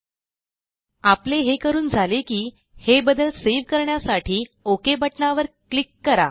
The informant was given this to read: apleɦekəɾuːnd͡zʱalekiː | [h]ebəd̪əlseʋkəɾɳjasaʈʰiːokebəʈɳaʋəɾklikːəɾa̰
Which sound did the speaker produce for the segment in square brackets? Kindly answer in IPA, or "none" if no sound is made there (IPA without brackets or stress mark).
h